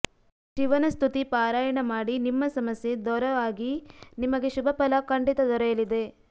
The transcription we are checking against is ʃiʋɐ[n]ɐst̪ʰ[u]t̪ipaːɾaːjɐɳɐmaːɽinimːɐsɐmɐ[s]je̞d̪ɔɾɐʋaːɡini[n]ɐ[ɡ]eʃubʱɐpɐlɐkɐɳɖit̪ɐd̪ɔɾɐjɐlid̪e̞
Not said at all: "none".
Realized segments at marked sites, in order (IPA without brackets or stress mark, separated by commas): n, u, s, m, ɡ